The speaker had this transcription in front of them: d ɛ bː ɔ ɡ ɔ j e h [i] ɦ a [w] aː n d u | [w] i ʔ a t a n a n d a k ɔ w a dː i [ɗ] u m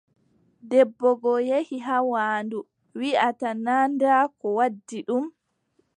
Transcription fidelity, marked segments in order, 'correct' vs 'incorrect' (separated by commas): correct, correct, correct, correct